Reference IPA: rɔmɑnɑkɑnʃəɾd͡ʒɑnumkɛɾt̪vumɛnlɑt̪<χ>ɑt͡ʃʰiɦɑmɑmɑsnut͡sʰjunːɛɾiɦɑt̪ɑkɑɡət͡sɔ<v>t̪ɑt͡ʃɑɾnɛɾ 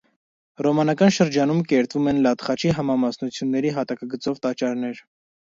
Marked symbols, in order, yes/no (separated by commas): yes, yes